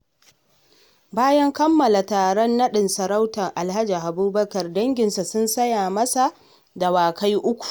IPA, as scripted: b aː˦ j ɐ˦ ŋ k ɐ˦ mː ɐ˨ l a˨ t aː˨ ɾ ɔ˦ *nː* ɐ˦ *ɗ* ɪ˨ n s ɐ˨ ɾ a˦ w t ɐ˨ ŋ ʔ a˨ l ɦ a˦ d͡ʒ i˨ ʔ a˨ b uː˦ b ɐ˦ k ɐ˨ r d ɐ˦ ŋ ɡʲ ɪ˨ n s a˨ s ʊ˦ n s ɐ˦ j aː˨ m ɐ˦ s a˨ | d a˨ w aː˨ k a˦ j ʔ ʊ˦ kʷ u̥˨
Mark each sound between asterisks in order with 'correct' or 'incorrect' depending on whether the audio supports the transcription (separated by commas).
correct, correct